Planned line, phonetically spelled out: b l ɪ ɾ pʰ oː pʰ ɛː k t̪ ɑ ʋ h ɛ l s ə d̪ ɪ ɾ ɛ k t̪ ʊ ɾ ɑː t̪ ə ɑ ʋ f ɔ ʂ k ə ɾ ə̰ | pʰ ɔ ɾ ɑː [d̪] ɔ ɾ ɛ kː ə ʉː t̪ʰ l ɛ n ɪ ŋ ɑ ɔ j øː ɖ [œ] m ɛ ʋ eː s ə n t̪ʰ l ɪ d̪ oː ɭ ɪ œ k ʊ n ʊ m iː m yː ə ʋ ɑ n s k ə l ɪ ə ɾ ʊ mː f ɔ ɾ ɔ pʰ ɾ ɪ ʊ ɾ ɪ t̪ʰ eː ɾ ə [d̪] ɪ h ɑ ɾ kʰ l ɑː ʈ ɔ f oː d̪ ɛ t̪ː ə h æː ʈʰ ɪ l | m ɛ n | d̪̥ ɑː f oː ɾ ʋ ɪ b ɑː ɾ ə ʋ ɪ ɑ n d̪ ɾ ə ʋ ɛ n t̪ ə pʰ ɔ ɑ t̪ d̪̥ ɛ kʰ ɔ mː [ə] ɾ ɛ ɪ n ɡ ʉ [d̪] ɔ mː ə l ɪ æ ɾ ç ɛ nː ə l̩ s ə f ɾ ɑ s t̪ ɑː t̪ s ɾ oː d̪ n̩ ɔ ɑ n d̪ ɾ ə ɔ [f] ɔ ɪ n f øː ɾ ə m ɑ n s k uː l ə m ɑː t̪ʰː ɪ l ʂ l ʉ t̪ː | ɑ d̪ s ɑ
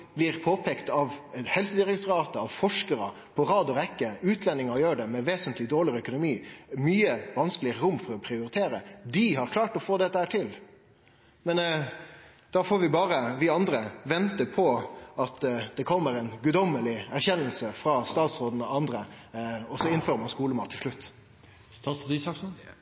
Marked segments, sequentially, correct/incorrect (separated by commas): correct, incorrect, correct, correct, correct, incorrect